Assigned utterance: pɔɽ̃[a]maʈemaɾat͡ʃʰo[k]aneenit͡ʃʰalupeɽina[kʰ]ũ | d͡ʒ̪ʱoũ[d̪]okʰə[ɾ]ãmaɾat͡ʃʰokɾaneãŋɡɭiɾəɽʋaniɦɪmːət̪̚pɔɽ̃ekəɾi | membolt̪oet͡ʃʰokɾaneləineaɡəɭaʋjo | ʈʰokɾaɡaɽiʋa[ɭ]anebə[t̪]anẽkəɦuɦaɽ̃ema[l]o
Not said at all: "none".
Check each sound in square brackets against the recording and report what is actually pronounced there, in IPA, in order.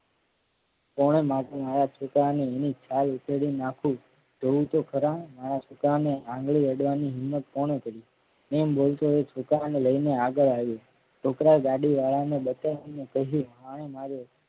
e, k, kʰ, t̪, ɾ, ɭ, t̪, ɾ

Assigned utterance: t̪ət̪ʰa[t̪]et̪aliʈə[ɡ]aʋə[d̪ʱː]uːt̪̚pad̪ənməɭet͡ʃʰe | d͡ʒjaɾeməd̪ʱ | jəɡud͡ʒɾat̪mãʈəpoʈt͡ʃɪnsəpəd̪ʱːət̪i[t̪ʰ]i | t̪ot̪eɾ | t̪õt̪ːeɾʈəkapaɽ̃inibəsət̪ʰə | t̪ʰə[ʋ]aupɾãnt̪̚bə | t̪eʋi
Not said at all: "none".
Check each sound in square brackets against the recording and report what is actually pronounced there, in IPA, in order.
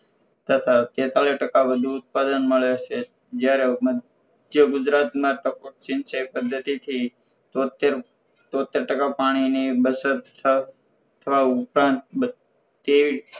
t̪, k, d̪ʱ, t̪ʰ, ʋ

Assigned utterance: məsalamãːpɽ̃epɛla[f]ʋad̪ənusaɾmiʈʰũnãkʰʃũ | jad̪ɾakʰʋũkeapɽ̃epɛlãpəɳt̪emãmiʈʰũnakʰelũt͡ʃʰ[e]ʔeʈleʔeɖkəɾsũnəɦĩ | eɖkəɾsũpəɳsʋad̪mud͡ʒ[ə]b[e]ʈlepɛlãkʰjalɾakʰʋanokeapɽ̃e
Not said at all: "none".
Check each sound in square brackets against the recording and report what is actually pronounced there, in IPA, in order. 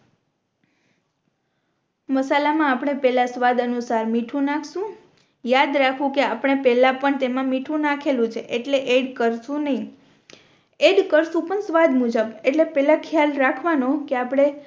s, e, ə, e

